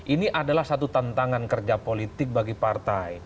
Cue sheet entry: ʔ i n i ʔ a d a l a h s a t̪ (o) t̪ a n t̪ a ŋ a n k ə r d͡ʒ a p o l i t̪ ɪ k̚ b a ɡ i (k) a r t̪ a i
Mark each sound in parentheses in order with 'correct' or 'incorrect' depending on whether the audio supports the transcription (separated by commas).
incorrect, incorrect